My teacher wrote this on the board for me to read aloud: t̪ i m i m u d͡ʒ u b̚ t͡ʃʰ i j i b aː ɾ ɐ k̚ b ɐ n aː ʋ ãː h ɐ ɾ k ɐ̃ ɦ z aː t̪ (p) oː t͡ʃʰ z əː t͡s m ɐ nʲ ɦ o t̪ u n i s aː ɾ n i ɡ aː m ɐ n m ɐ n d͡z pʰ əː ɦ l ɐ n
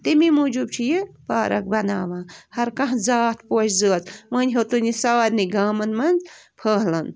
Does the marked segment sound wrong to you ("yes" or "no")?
no